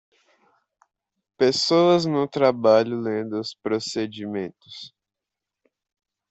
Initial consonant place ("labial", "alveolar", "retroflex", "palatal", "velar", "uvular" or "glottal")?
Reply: labial